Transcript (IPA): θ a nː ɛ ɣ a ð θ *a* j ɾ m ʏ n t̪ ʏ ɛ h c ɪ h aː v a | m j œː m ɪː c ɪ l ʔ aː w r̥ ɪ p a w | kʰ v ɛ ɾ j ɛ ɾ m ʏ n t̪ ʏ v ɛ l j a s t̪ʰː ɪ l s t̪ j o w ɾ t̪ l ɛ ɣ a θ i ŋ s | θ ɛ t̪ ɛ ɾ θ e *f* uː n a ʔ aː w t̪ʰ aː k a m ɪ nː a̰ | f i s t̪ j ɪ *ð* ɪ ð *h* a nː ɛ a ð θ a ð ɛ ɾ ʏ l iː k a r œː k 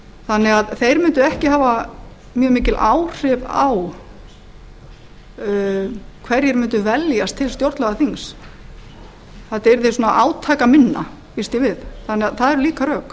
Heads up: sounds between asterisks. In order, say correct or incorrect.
incorrect: e, incorrect: s, incorrect: v, incorrect: θ

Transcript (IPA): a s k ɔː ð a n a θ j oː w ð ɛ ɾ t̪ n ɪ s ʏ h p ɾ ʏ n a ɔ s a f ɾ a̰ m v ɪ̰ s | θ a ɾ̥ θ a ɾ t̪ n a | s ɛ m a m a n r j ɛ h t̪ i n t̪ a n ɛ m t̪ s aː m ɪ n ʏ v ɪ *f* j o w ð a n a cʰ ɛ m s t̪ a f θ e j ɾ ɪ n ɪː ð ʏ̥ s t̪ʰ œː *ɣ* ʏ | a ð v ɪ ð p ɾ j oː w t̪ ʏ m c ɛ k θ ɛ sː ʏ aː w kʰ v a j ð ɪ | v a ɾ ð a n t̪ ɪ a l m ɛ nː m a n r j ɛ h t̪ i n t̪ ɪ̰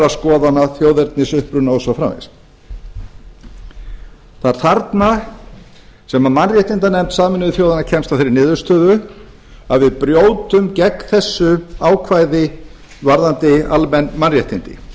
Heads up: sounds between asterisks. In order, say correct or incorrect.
incorrect: θ, incorrect: ð

